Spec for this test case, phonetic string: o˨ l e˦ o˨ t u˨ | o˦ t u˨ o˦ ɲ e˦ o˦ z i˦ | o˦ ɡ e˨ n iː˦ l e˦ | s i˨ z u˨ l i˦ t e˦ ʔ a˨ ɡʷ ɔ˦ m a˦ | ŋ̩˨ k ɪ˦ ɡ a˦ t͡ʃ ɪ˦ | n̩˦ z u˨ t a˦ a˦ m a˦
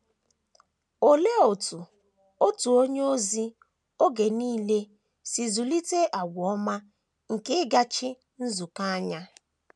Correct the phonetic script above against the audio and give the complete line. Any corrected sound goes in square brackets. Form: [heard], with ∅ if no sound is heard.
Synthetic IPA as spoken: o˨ l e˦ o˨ t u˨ | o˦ t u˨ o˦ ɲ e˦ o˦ z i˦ | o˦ ɡ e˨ n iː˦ l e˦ | s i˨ z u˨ l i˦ t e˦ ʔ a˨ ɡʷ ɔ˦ m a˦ | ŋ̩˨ k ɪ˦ ɡ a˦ t͡ʃ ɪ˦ | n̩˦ z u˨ [k] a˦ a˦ [ɲ] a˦